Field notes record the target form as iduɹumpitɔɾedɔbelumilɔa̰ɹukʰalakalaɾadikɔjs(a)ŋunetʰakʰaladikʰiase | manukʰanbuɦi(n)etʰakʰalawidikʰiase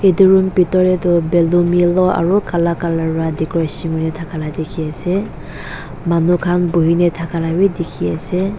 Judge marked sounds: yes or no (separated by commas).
no, yes